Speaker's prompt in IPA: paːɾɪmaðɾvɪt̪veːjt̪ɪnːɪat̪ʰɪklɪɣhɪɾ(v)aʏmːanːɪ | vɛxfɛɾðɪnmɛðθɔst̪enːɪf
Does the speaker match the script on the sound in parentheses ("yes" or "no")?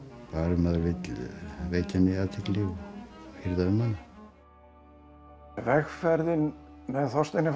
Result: no